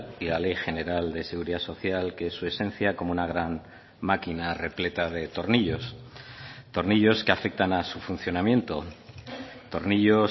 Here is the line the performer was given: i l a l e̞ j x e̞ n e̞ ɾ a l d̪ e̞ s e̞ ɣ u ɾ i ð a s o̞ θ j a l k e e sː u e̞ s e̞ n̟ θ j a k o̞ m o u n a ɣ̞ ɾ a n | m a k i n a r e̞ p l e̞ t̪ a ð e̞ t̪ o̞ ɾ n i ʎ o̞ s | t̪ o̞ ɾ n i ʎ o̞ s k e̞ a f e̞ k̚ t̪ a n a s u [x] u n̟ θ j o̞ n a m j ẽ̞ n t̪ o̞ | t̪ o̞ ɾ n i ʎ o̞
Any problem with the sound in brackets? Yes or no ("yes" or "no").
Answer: yes